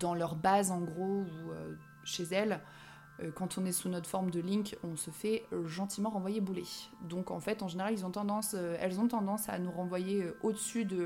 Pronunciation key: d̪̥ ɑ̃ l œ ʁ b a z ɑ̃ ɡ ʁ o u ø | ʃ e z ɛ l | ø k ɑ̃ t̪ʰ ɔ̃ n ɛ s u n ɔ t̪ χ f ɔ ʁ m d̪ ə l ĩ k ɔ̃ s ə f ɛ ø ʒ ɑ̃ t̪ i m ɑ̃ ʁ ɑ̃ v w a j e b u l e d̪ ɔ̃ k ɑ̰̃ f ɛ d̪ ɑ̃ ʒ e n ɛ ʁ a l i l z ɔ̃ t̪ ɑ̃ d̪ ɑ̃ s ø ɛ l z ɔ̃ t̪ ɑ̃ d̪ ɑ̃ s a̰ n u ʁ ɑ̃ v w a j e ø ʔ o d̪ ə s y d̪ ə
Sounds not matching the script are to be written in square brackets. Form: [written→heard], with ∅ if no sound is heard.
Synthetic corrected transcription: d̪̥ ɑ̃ l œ ʁ b a z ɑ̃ ɡ ʁ o u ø | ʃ e z ɛ l | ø k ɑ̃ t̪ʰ ɔ̃ n ɛ s u n ɔ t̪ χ f ɔ ʁ m d̪ ə l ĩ k ɔ̃ s ə f ɛ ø ʒ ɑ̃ t̪ i m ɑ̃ ʁ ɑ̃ v w a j e b u l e d̪ ɔ̃ k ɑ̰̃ f ɛ [d̪→t̪] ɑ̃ ʒ e n [ɛ→e] ʁ a l i l z ɔ̃ t̪ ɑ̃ d̪ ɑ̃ s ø ɛ l z ɔ̃ t̪ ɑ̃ d̪ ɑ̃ s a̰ n u ʁ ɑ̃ v w a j e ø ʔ o d̪ ə s y d̪ ə